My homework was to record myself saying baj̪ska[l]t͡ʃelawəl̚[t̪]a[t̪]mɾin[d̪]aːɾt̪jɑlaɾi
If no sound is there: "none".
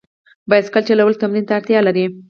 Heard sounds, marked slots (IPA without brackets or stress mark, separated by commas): l, t̪, none, t̪